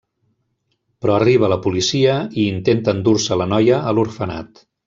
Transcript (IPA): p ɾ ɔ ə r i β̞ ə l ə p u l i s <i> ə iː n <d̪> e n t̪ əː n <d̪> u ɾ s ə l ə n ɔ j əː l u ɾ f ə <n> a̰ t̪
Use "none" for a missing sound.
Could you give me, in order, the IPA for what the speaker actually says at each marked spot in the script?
i, t̪, d̪, n

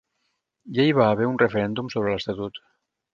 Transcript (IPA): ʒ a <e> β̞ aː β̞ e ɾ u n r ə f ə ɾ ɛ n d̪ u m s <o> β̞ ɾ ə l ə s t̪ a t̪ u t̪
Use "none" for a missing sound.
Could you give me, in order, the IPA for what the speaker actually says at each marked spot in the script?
i, o

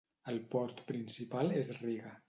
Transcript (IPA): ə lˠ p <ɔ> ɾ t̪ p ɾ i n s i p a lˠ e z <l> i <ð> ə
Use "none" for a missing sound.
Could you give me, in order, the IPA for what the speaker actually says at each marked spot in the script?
ɔ, r, ɣ

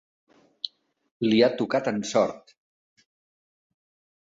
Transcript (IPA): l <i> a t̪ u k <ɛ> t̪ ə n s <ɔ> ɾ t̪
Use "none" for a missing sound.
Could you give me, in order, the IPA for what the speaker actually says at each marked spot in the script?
i, a, ɔ

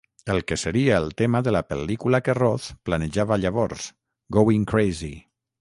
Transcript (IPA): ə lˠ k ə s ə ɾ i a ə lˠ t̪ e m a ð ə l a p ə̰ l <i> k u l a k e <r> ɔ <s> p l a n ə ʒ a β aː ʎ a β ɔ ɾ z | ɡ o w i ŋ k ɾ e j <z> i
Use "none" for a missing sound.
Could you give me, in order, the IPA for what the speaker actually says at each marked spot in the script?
i, r, θ, z

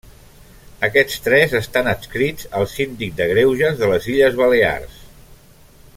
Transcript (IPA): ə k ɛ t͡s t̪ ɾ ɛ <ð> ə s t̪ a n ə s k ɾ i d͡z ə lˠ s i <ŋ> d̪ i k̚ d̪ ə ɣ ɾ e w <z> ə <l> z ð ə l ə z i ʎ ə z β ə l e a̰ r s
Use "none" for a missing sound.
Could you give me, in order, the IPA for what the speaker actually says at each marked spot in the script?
z, n, ʒ, none

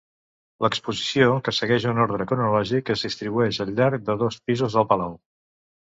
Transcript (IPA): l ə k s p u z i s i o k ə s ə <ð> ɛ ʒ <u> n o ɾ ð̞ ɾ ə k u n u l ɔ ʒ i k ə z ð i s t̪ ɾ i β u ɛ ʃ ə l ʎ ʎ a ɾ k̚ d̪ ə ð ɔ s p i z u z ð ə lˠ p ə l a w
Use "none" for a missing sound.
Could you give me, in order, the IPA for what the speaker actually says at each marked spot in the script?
ɣ, u

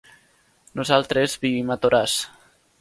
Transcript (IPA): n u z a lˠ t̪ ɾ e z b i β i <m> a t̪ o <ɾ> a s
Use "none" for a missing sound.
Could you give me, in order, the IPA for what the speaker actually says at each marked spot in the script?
m, ɾ

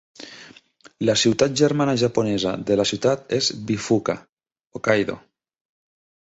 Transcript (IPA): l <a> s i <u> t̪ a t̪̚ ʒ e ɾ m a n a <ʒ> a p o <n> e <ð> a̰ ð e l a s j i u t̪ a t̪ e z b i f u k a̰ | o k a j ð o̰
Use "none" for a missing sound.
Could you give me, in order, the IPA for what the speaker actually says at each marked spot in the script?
a, w, ʒ, n, z

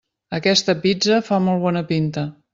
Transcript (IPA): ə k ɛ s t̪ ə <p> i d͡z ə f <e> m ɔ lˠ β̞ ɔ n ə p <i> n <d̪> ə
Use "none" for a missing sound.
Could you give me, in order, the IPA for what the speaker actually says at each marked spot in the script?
p, a, i, t̪

